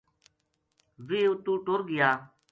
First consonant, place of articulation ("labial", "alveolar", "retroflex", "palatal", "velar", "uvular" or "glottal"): labial